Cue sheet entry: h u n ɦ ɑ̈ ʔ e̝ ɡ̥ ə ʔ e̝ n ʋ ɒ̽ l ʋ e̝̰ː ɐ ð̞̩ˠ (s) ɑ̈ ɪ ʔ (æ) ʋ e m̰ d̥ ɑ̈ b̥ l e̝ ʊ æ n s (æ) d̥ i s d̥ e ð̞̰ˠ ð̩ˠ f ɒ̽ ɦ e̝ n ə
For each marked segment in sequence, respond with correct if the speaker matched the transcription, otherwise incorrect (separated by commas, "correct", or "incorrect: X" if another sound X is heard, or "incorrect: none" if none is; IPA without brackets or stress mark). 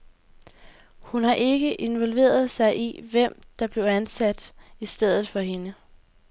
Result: correct, incorrect: i, correct